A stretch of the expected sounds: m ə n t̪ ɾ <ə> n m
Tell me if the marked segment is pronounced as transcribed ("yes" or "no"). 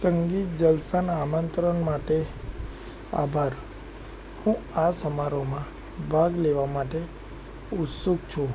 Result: yes